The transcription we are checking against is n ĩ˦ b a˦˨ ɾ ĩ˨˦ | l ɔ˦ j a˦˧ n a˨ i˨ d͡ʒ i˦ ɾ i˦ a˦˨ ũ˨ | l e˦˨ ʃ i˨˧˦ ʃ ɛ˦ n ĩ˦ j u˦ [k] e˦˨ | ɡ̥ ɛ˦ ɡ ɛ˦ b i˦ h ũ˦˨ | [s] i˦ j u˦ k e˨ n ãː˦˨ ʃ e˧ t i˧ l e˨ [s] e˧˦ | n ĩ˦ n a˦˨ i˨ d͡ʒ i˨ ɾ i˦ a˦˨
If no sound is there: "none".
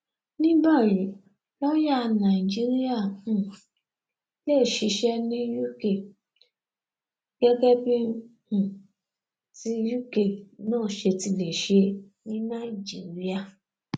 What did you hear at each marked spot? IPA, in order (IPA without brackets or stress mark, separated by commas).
k, t, ʃ